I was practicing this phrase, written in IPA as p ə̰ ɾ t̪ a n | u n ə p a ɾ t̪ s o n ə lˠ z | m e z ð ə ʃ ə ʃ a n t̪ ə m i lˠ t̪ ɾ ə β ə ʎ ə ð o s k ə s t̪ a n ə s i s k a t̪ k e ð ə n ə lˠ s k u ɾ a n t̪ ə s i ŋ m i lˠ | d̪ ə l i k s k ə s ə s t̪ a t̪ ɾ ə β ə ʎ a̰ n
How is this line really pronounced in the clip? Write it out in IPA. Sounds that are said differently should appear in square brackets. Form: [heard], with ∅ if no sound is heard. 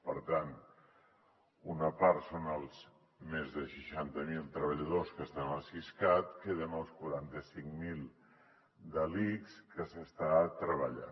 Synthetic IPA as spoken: p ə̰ ɾ t̪ a n | u n ə p a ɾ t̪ s o n ə lˠ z | m e z ð ə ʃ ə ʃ a n t̪ ə m i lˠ t̪ ɾ ə β ə ʎ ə ð o s k ə s t̪ a n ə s i s k a t̪ k e ð ə n ə lˠ s k u ɾ a n t̪ ə s i ŋ m i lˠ | d̪ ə l i k s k ə s ə s t̪ a t̪ ɾ ə β ə ʎ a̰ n